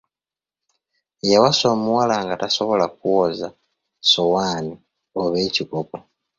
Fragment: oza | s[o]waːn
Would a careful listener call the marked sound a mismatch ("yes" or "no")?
no